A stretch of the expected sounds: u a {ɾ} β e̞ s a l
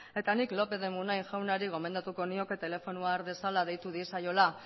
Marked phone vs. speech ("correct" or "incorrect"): correct